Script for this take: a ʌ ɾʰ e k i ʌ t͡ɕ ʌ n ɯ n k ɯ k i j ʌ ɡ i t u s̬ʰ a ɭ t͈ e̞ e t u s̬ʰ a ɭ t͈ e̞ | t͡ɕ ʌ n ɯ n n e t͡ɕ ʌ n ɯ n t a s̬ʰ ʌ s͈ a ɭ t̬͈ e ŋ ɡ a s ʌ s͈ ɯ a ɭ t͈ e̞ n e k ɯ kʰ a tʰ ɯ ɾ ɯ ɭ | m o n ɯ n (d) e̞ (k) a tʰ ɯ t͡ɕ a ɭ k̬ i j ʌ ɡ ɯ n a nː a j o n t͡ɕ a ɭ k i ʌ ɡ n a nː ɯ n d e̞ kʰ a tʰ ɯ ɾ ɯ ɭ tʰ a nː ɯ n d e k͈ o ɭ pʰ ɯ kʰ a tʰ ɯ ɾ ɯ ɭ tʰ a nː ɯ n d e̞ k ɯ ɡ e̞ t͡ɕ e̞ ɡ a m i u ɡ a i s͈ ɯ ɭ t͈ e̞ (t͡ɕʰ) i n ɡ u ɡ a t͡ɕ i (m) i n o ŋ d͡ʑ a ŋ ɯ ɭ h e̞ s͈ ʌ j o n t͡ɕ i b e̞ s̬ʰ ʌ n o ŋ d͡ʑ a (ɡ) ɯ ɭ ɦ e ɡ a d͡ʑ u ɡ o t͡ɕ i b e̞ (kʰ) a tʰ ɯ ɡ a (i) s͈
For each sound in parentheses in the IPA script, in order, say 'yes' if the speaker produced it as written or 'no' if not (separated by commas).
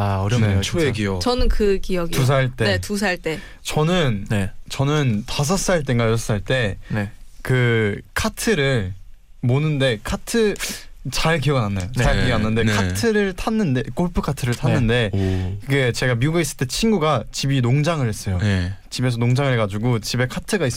yes, no, yes, no, no, yes, yes